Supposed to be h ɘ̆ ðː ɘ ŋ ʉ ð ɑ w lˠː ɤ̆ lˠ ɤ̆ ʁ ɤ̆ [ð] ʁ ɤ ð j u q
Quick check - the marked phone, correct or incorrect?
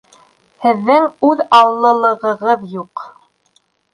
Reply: incorrect: none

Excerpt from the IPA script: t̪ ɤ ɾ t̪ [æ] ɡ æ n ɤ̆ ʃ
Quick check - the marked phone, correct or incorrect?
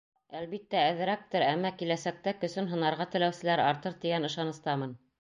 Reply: incorrect: i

